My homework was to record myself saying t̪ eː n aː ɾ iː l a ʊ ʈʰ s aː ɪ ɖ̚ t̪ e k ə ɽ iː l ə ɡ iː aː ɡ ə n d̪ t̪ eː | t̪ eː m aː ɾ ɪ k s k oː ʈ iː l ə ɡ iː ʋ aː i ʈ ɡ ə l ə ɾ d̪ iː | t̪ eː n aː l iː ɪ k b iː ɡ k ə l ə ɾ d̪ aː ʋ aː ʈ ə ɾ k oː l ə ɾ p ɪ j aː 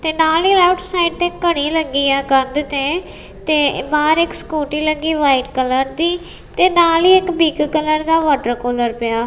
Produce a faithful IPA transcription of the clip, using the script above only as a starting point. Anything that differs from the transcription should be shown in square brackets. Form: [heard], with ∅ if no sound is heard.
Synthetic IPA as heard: t̪ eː n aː [l] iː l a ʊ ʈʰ s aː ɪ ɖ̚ t̪ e k ə ɽ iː l ə ɡ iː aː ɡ ə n d̪ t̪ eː | t̪ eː [b] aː ɾ ɪ k s k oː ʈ iː l ə ɡ iː ʋ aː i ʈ [k] ə l ə ɾ d̪ iː | t̪ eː n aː l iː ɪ k b iː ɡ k ə l ə ɾ d̪ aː ʋ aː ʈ ə ɾ k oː l ə ɾ p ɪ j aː